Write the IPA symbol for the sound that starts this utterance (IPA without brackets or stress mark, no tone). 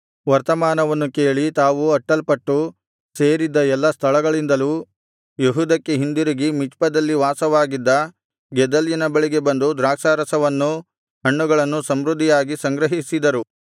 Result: ʋ